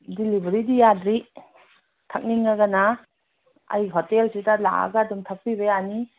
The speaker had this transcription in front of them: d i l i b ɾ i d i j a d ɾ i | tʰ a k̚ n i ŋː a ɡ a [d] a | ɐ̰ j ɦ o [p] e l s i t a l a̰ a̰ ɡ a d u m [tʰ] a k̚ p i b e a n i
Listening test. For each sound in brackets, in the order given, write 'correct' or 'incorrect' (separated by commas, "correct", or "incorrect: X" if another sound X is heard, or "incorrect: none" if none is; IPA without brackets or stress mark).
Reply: incorrect: n, incorrect: t, correct